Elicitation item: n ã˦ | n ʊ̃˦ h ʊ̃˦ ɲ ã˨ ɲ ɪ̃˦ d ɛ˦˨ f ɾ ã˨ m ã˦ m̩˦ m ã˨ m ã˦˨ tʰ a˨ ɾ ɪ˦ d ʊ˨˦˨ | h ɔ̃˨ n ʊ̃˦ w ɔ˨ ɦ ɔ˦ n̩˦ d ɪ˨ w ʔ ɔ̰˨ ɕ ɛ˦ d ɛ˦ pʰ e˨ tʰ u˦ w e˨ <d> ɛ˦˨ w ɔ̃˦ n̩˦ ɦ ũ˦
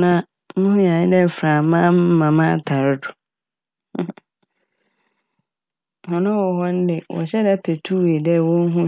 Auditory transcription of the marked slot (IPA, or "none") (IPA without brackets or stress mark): d